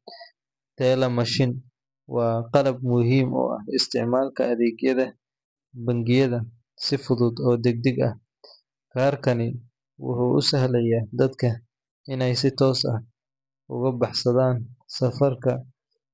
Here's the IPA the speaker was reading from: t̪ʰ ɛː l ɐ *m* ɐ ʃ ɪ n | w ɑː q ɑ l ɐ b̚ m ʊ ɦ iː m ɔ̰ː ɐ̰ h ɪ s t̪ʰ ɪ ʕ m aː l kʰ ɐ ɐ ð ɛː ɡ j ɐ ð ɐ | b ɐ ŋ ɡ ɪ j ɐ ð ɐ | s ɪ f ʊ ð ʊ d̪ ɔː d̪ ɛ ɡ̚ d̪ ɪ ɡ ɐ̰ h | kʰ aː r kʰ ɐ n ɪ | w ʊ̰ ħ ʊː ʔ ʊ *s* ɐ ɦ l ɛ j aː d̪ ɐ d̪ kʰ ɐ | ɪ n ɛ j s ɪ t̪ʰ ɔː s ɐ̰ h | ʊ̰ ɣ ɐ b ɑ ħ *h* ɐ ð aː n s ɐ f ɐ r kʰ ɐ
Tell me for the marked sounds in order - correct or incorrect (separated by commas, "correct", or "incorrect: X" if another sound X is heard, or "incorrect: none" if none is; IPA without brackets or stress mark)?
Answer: correct, correct, incorrect: s